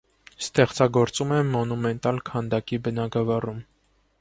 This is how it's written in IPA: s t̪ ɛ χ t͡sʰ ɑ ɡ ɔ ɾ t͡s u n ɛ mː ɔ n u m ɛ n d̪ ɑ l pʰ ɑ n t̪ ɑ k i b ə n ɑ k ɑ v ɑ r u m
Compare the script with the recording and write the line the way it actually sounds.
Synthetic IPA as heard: s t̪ ɛ χ t͡s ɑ ɡ ɔ ɾ t͡s u m ɛ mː ɔ n u m ɛ n t̪ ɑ l kʰ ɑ n d̪ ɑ k i b ə n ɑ ɡ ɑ v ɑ r u m

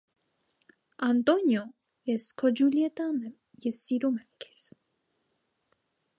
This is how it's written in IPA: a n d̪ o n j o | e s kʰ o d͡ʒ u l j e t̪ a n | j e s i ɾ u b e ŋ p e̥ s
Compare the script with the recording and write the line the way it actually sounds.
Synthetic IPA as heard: a n t̪ o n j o | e s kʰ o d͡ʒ u l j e t̪ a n | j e s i ɾ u m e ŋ k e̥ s

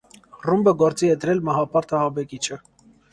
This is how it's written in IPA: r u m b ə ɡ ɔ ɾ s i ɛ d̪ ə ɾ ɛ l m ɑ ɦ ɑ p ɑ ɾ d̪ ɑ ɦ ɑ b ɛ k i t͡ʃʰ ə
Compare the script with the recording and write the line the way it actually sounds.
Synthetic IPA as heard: r u m b ə ɡ ɔ ɾ t͡s i ɛ d̪ ə ɾ ɛ l m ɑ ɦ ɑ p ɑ ɾ t̪ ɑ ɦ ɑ b ɛ k i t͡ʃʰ ə

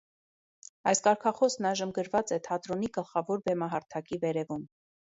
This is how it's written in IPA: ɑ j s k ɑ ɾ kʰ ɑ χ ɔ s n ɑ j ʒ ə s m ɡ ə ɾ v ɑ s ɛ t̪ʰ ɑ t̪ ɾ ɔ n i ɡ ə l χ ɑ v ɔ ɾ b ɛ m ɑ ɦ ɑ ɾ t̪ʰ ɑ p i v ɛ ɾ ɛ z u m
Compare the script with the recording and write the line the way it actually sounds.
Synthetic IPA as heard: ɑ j s k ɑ ɾ kʰ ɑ χ ɔ s n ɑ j ʒ ə m ɡ ə ɾ v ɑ t͡s ɛ t̪ʰ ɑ t̪ ɾ ɔ n i ɡ ə l χ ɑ v ɔ ɾ b ɛ m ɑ ɦ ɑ ɾ t̪ʰ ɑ k i v ɛ ɾ ɛ v u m

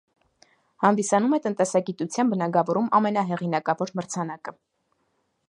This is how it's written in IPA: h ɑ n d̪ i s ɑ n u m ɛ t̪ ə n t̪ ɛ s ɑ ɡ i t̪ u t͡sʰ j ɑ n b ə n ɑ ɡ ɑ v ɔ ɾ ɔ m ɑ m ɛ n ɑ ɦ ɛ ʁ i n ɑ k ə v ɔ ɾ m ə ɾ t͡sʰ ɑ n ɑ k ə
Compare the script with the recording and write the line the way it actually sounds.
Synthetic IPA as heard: h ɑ n d̪ i s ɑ n u m ɛ t̪ ə n t̪ ɛ s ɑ ɡ i t̪ u t͡sʰ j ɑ n b ə n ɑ ɡ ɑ v ɔ ɾ u m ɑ m ɛ n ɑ ɦ ɛ ʁ i n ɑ k ɑ v ɔ ɾ m ə ɾ t͡sʰ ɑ n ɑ k ə

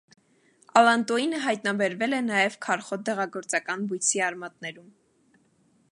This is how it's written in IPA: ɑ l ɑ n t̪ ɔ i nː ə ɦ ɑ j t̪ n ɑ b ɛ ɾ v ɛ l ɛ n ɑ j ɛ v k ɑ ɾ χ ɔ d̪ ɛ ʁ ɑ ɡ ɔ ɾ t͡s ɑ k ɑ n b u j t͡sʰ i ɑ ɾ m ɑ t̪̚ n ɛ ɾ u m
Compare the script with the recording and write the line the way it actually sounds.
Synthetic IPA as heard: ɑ l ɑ n t̪ ɔ i n ə ɦ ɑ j t̪ n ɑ b ɛ ɾ v ɛ l ɛ n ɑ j ɛ v kʰ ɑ ɾ χ ɔ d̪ ɛ ʁ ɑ ɡ ɔ ɾ t͡s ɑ k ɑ n b u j t͡sʰ i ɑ ɾ m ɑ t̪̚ n ɛ ɾ u m

